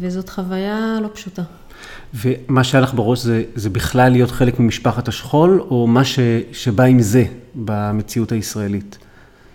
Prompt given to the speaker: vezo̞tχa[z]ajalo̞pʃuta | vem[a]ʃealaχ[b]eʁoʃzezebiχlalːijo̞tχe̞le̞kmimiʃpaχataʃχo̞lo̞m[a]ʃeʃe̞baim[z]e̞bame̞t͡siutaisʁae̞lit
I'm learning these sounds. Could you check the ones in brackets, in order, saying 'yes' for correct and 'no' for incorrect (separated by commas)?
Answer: no, yes, yes, yes, yes